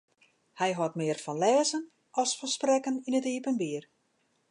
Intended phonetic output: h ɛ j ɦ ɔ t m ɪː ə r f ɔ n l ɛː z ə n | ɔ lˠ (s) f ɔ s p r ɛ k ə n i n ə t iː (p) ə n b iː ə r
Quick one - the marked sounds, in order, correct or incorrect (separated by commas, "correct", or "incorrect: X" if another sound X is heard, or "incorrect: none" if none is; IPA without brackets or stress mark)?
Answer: correct, correct